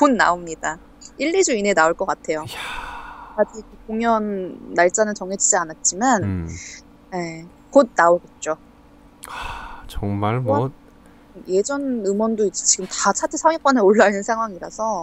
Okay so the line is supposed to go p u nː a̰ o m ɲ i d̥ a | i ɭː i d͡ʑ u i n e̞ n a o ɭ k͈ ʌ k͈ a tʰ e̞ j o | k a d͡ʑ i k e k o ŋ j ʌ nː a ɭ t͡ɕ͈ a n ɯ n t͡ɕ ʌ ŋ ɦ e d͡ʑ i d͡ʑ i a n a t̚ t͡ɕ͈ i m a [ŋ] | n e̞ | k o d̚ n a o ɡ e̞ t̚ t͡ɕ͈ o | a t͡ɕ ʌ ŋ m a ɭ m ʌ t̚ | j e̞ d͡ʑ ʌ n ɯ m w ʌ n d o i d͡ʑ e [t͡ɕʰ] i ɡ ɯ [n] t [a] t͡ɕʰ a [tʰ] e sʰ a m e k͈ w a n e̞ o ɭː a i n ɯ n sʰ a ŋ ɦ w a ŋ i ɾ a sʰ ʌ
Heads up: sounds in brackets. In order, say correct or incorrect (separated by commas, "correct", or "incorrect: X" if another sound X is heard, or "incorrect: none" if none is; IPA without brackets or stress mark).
incorrect: n, incorrect: t͡ɕ, incorrect: m, correct, correct